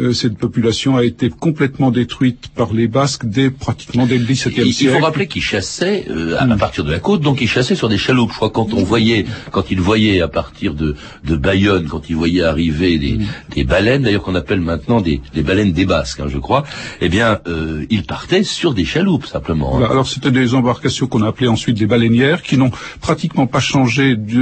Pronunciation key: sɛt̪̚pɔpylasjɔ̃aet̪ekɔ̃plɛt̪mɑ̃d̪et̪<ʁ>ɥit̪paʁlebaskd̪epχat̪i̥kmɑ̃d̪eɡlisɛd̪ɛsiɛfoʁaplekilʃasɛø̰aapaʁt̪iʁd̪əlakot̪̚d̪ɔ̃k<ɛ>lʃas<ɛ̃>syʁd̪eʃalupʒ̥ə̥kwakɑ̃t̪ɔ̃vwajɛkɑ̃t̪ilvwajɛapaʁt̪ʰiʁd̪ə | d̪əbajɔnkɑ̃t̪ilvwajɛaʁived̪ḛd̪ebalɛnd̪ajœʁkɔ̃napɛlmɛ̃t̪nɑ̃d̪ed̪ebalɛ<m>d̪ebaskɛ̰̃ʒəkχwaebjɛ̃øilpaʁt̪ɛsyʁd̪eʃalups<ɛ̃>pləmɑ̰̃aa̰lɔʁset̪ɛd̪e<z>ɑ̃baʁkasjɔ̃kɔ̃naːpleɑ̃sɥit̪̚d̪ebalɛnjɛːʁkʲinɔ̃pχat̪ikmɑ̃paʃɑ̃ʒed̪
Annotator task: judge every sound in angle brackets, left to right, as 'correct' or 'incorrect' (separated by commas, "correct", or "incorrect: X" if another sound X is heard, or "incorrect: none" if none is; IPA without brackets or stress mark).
incorrect: χ, incorrect: i, incorrect: ɛ, incorrect: n, correct, correct